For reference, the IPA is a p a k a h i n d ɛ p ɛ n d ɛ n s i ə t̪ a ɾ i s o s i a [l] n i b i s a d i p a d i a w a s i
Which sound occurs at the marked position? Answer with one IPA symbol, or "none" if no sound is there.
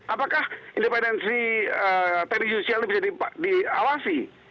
l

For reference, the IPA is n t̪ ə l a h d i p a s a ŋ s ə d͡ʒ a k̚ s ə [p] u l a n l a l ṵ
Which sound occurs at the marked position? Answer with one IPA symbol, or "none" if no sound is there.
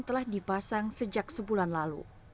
b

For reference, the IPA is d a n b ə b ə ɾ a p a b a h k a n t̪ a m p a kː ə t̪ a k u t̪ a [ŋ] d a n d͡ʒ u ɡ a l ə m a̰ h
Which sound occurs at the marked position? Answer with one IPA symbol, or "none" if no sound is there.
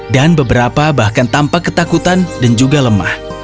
n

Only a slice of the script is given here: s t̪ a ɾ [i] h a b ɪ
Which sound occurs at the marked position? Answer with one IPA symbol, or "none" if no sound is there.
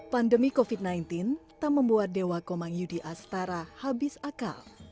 a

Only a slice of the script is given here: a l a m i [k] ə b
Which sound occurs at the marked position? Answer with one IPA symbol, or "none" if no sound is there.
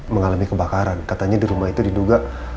k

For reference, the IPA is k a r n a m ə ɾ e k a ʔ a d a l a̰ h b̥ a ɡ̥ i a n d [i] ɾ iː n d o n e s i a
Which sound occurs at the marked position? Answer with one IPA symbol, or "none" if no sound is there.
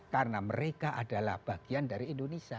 a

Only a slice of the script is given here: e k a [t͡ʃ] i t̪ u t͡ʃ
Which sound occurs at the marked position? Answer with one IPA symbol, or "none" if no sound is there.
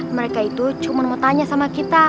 none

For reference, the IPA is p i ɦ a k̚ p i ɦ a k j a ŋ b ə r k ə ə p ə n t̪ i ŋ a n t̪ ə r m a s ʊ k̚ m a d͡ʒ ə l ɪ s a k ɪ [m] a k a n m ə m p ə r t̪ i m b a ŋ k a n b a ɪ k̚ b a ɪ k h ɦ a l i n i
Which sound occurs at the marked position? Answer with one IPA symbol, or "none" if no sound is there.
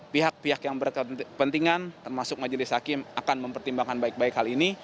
m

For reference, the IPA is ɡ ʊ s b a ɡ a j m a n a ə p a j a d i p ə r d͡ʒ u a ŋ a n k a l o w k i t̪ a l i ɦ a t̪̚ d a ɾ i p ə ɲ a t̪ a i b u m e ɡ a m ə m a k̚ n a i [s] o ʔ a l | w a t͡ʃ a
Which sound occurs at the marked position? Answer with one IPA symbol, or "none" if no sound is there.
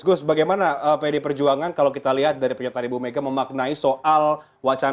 s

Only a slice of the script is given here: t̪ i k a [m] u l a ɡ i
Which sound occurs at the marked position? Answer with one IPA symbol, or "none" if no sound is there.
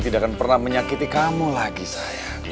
m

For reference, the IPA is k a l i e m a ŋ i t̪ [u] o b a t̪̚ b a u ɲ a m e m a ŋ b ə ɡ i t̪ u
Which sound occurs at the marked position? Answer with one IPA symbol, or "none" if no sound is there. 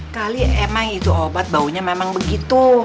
u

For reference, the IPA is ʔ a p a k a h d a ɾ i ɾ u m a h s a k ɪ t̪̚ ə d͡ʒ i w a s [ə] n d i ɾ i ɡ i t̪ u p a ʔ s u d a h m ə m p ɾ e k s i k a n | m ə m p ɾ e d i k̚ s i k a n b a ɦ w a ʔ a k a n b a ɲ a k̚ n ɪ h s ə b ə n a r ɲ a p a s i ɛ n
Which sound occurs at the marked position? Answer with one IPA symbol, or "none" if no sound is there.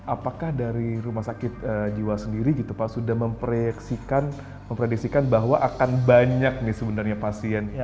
ə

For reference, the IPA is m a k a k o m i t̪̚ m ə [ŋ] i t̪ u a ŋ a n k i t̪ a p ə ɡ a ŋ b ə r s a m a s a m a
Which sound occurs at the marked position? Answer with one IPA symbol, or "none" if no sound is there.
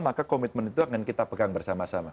n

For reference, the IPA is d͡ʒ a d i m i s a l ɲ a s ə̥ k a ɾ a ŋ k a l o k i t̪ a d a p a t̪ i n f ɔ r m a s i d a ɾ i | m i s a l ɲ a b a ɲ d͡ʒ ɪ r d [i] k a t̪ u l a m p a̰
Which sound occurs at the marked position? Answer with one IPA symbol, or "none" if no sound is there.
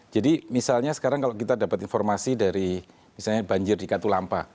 i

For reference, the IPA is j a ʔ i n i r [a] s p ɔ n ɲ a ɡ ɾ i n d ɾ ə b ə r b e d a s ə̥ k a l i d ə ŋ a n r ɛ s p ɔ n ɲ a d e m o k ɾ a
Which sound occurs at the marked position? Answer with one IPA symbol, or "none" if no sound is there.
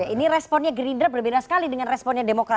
ɛ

